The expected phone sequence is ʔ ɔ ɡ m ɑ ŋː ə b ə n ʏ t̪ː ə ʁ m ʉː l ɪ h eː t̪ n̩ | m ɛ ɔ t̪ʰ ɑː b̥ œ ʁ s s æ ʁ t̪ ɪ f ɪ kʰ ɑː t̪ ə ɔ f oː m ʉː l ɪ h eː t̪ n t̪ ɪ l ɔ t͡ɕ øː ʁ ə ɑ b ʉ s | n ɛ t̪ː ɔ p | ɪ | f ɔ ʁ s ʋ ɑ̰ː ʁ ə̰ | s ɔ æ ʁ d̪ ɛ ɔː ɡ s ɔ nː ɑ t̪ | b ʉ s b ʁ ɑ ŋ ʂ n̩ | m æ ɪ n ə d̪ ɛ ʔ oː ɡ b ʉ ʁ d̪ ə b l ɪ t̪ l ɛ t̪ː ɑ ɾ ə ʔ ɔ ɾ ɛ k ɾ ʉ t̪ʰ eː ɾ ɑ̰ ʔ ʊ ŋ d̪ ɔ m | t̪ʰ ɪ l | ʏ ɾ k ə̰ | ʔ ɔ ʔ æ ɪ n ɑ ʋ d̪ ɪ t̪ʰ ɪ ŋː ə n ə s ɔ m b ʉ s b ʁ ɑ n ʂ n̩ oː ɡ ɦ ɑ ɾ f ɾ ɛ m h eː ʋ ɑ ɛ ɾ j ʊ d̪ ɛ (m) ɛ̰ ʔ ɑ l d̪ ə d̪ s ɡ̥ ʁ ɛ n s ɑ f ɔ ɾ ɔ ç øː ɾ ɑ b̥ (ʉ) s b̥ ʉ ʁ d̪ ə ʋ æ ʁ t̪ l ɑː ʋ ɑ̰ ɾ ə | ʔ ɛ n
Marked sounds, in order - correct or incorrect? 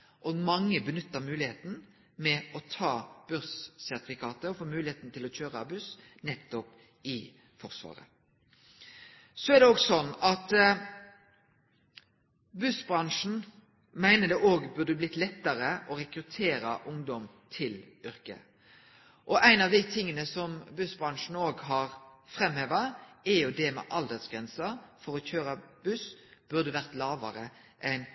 correct, correct

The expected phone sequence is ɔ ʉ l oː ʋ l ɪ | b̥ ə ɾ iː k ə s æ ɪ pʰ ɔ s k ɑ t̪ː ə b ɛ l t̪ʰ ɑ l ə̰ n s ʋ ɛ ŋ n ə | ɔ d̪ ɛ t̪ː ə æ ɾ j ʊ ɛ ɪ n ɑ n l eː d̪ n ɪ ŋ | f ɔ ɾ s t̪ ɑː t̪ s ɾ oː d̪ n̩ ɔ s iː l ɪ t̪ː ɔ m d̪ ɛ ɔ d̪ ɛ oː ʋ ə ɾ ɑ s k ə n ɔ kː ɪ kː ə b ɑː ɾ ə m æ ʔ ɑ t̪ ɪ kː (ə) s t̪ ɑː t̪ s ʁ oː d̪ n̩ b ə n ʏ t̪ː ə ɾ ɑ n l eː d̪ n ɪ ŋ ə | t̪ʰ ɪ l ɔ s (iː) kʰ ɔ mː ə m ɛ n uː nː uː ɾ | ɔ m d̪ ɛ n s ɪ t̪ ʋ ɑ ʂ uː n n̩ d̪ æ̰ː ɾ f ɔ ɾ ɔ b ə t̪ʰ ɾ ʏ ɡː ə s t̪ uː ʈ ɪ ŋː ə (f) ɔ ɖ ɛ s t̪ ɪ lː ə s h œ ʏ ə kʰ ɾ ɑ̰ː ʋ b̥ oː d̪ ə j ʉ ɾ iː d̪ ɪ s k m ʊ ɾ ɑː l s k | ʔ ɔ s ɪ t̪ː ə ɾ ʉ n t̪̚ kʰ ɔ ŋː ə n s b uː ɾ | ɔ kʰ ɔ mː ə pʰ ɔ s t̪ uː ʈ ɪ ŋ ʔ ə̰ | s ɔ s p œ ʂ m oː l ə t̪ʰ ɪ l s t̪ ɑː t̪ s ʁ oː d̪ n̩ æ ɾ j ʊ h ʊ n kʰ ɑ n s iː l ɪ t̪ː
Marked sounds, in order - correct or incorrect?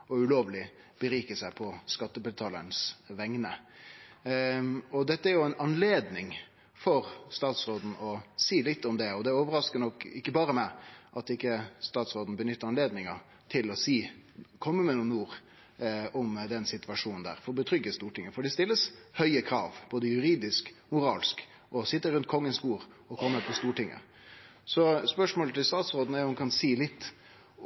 correct, correct, correct

